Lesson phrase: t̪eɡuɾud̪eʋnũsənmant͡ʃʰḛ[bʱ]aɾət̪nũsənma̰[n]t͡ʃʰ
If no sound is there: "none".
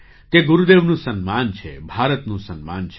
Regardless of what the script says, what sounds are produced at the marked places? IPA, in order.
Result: bʱ, n

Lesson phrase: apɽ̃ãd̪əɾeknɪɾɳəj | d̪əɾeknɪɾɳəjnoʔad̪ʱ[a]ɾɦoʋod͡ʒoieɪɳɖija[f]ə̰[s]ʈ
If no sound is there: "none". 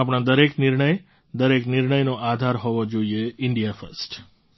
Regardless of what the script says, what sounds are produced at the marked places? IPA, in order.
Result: a, f, s

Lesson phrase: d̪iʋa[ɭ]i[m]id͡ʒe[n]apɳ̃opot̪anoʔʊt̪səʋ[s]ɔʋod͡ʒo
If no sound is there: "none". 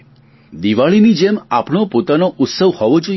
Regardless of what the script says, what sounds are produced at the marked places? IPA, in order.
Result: ɭ, n, m, h

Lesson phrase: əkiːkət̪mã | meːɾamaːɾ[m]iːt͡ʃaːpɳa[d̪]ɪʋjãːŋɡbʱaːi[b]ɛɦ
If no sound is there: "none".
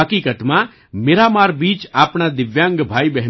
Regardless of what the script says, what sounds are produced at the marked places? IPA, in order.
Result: b, d̪, b

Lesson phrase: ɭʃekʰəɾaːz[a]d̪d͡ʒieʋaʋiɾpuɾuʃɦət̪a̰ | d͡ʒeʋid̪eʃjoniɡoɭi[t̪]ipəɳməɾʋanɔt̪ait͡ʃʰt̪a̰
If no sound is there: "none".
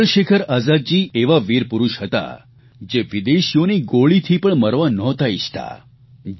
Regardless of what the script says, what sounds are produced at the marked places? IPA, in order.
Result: a, t̪ʰ

